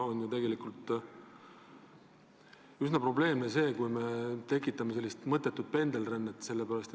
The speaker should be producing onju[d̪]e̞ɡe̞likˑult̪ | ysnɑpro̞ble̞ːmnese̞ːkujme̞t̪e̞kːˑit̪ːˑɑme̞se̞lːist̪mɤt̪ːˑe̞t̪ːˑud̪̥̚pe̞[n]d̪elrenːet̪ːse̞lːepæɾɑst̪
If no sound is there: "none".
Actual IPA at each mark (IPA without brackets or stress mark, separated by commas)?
t̪, n